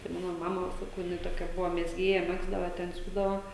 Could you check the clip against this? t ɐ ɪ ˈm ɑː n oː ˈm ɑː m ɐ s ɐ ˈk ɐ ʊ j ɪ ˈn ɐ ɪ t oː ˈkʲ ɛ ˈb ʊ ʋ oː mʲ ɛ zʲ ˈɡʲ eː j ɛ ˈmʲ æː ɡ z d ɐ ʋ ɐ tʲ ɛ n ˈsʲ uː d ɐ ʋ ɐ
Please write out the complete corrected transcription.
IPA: t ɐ ɪ ˈm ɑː n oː ˈm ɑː m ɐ s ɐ ˈk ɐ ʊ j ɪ ˈn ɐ ɪ t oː ˈkʲ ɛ ˈb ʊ ʋ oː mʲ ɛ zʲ ˈɡʲ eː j ɛ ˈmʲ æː ɡ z d ɐ ʋ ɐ tʲ ɛ n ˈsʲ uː d ɐ ʋ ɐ

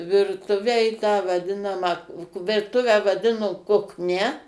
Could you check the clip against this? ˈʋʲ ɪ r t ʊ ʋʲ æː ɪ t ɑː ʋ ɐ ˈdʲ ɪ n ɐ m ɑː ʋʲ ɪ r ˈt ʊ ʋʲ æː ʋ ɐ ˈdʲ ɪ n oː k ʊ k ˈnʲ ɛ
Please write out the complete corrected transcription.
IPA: ˈʋʲ ɪ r t ʊ ʋʲ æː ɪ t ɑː ʋ ɐ ˈdʲ ɪ n ɐ m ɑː ʋʲ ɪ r ˈt ʊ ʋʲ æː ʋ ɐ ˈdʲ ɪ n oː k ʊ k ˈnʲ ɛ

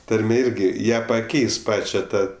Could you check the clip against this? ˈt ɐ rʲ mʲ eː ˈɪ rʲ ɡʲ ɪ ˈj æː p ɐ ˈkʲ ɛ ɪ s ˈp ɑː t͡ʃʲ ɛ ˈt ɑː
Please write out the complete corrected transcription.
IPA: ˈt ɐ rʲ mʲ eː ˈɪ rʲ ɡʲ ɪ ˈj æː p ɐ ˈkʲ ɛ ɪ s ˈp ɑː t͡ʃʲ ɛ ˈt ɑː

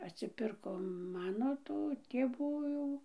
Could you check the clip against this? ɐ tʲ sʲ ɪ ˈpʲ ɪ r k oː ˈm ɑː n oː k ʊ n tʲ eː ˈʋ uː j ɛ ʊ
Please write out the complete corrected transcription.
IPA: ɐ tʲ sʲ ɪ ˈpʲ ɪ r k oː ˈm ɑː n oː t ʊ tʲ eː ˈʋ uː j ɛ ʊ

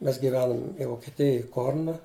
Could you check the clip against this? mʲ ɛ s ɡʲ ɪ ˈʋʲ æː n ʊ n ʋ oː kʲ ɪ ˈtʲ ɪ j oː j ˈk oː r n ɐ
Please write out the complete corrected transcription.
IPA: mʲ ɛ s ɡʲ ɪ ˈʋʲ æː n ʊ m ʋ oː kʲ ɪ ˈtʲ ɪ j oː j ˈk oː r n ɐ

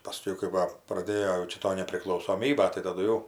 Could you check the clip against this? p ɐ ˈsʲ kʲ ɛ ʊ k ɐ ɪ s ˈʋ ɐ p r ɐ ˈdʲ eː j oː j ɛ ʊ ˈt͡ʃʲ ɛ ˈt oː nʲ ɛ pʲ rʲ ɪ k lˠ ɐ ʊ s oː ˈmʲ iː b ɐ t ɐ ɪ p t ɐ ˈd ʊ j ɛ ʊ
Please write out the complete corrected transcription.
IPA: p ɐ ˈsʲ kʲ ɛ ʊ k ɐ ɪ ˈʋ ɐ p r ɐ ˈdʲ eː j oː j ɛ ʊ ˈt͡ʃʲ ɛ ˈt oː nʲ ɛ pʲ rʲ ɪ k lˠ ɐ ʊ s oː ˈmʲ iː b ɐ t ɐ ɪ t ɐ ˈd ʊ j ɛ ʊ

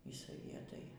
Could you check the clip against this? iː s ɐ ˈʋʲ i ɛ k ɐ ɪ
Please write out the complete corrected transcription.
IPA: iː s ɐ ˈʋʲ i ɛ t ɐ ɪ

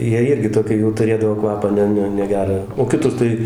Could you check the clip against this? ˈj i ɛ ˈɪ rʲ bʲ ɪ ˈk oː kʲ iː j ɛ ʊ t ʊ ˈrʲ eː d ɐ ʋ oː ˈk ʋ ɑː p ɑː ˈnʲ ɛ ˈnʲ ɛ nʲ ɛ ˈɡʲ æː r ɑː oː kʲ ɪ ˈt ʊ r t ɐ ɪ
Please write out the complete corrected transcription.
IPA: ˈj i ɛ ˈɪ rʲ ɡʲ ɪ ˈt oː kʲ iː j ɛ ʊ t ʊ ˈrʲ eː d ɐ ʋ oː ˈk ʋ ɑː p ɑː ˈnʲ ɛ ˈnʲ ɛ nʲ ɛ ˈɡʲ æː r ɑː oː kʲ ɪ ˈt ʊ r t ɐ ɪ

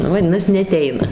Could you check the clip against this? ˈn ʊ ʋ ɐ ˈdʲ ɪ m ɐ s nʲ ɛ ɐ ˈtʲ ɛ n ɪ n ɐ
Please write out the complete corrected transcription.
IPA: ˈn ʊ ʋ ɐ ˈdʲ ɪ n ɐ s nʲ ɛ ɐ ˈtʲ ɛ ɪ n ɐ

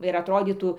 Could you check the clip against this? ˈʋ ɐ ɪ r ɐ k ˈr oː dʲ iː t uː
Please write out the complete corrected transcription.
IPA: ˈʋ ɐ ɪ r ɐ t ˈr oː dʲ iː t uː

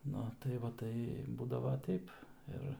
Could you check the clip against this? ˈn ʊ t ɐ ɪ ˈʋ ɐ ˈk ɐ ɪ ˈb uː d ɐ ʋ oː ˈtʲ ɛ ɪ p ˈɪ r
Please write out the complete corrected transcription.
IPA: ˈn ʊ t ɐ ɪ ˈʋ ɐ ˈt ɐ ɪ ˈb uː d ɐ ʋ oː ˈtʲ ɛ ɪ p ˈɪ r

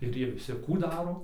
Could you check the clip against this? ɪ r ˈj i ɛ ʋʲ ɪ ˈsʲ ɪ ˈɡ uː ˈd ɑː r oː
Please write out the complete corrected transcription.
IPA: ɪ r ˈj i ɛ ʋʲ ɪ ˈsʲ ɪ ˈk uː ˈd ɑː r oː

